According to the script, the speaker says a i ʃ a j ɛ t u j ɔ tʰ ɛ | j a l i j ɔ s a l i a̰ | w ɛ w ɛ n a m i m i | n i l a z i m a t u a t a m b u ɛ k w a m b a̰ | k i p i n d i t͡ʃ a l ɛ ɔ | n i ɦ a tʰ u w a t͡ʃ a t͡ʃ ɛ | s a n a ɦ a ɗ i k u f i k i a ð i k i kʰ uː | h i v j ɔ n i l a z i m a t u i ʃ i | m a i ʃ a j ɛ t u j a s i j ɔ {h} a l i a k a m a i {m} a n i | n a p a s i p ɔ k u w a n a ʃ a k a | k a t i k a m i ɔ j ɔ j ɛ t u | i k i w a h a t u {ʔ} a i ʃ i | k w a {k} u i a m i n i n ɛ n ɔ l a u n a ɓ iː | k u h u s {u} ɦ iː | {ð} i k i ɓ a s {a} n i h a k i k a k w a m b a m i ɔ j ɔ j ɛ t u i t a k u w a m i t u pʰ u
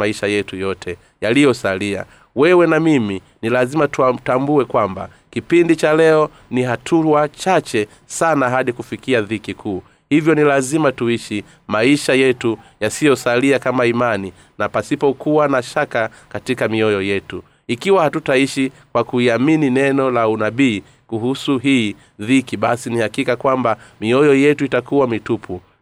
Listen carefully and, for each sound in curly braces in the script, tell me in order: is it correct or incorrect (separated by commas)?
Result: incorrect, correct, incorrect, correct, correct, correct, incorrect